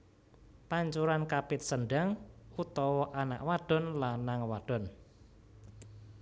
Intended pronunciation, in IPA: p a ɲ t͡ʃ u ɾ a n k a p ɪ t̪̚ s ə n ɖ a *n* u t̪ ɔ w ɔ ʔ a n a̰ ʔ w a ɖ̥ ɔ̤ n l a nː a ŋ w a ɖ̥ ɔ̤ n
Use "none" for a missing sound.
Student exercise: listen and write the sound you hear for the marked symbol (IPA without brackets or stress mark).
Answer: ŋ